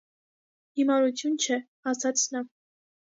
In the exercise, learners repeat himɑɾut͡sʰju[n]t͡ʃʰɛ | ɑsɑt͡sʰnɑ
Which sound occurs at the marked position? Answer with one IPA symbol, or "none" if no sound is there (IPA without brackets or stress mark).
n